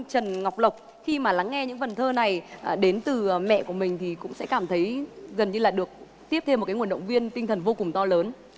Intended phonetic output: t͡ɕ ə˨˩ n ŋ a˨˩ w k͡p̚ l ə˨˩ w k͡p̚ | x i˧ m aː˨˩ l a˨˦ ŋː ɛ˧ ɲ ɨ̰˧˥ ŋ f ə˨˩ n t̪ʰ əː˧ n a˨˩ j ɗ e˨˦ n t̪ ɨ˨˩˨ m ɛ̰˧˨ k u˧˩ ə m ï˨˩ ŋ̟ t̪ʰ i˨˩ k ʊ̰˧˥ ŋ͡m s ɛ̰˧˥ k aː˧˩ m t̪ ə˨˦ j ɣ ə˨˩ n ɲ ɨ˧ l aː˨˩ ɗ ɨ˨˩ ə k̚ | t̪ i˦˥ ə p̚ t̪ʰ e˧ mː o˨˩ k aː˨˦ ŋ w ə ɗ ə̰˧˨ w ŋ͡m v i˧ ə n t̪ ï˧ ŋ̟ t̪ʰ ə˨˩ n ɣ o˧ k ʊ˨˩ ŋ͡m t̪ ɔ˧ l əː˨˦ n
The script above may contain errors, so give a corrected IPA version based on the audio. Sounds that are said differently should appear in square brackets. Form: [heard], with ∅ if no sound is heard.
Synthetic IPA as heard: t͡ɕ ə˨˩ n ŋ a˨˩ w k͡p̚ l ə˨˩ w k͡p̚ | x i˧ m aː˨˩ l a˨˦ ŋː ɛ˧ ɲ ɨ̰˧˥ ŋ f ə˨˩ n t̪ʰ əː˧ n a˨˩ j ɗ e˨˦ n t̪ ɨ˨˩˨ m ɛ̰˧˨ k u˧˩ ə m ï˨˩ ŋ̟ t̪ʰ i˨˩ k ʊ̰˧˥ ŋ͡m s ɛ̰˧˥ k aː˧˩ m [t̪ʰ] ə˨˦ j ɣ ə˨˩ n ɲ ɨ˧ l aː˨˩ ɗ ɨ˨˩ ə k̚ | t̪ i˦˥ ə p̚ t̪ʰ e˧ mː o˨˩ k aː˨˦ ŋ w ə ɗ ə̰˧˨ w ŋ͡m v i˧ ə n t̪ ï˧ ŋ̟ t̪ʰ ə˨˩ n [v] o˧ k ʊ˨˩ ŋ͡m t̪ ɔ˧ l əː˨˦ n

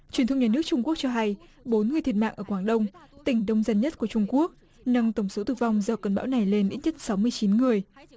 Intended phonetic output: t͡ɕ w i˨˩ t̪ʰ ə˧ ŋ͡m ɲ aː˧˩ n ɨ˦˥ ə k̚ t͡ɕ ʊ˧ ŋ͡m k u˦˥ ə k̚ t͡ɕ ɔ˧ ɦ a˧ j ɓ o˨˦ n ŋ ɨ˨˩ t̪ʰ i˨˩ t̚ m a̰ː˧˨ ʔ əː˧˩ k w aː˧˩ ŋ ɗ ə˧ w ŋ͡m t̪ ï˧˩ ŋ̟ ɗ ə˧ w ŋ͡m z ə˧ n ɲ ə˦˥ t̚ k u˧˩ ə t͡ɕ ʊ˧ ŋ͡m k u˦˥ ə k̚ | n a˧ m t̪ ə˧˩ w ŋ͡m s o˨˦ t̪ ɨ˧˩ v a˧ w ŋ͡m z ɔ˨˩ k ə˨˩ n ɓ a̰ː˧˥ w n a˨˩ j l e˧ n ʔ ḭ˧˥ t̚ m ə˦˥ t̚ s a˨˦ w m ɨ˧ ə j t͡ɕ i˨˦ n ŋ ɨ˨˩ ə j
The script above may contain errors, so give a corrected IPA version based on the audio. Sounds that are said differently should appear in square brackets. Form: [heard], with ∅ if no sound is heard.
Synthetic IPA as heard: t͡ɕ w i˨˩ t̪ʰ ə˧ ŋ͡m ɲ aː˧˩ n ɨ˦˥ ə k̚ t͡ɕ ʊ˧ ŋ͡m k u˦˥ ə k̚ t͡ɕ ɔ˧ ɦ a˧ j ɓ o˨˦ n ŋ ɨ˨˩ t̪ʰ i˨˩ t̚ m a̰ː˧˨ ʔ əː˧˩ k w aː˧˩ ŋ ɗ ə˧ w ŋ͡m t̪ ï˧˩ ŋ̟ ɗ ə˧ w ŋ͡m z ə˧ n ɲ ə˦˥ t̚ k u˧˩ ə t͡ɕ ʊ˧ ŋ͡m k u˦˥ ə k̚ | n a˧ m t̪ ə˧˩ w ŋ͡m s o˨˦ t̪ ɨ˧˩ v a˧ w ŋ͡m z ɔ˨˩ k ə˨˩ n ɓ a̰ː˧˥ w n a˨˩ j l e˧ n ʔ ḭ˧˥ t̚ [ɲ] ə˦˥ t̚ s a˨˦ w m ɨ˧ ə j t͡ɕ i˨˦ n ŋ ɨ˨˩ ə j

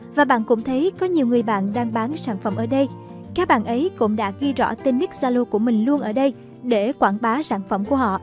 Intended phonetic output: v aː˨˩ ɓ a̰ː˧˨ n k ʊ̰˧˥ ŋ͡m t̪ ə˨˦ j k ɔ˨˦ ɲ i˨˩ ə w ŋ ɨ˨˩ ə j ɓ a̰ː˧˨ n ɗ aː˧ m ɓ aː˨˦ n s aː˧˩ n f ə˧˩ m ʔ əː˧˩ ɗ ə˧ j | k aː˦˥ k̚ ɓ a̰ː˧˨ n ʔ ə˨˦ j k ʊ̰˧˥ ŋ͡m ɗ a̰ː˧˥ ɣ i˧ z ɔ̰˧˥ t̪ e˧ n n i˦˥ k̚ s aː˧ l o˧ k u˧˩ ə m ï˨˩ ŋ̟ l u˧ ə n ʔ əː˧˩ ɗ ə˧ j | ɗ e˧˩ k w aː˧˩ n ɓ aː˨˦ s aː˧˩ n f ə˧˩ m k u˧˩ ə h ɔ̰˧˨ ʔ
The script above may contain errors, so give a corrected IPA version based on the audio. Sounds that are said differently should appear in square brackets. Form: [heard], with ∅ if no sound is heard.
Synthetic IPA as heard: v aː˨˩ ɓ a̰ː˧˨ n k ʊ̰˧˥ ŋ͡m [t̪ʰ] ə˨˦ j k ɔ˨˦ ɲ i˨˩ ə w ŋ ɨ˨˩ ə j ɓ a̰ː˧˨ n ɗ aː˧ [ŋ] ɓ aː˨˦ n s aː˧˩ n f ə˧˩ m ʔ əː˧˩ ɗ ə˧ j | k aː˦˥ k̚ ɓ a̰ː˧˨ n ʔ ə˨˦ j k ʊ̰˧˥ ŋ͡m ɗ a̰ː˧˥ ɣ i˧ z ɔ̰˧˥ t̪ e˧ n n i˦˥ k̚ [z] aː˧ l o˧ k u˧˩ ə m ï˨˩ ŋ̟ l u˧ ə n ʔ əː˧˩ ɗ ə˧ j | ɗ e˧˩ k w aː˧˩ n ɓ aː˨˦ s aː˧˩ n f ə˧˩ m k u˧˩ ə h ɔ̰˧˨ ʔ

